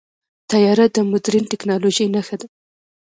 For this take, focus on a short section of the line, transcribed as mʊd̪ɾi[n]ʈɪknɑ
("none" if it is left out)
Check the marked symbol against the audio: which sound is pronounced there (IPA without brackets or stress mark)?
n